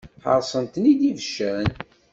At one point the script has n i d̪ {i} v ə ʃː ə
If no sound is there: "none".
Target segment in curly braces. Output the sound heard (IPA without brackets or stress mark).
i